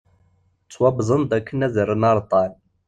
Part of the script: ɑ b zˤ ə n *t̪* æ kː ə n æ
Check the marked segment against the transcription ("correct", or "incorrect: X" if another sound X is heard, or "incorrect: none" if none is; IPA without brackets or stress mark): incorrect: d̪